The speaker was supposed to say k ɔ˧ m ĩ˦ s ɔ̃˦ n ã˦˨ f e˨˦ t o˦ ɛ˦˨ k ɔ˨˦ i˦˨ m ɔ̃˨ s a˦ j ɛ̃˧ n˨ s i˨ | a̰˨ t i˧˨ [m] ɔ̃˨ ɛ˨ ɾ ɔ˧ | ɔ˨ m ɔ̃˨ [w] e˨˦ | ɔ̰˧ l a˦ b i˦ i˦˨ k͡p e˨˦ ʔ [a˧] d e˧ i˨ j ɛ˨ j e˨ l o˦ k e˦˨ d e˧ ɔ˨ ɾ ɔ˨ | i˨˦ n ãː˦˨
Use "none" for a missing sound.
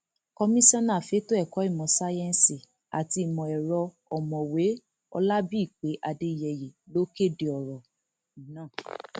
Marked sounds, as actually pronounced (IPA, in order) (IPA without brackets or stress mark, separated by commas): m, w, a˧